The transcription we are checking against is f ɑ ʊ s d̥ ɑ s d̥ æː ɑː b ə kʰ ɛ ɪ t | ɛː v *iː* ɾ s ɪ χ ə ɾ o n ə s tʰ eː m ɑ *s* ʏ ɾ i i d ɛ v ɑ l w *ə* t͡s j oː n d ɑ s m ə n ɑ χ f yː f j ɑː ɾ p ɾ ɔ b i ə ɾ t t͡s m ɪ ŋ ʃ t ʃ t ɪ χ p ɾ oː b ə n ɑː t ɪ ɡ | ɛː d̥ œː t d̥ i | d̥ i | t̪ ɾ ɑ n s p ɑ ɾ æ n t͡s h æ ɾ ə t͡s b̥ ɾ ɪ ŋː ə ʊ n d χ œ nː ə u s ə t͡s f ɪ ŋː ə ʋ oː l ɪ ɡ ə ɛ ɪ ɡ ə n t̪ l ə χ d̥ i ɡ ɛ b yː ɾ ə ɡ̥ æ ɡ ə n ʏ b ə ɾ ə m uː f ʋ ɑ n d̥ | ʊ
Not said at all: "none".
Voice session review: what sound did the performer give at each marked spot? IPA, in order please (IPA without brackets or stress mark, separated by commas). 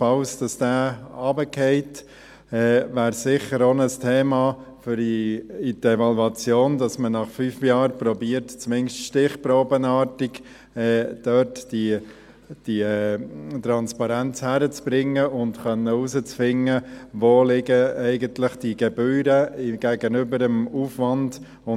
æː, f, ɑ